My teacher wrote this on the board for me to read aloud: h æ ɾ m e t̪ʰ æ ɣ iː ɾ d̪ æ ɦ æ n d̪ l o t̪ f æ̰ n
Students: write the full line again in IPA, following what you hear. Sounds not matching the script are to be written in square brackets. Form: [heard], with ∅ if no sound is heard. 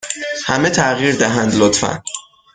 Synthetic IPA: h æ [∅] m e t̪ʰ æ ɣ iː ɾ d̪ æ ɦ æ n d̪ l o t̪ f æ̰ n